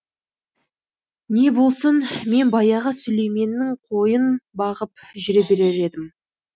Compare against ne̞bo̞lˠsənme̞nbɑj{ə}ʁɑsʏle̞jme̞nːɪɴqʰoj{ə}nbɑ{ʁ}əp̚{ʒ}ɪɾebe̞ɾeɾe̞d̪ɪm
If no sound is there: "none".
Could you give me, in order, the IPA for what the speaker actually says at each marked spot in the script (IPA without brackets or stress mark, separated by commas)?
ɑ, ə, ʁ, ʒ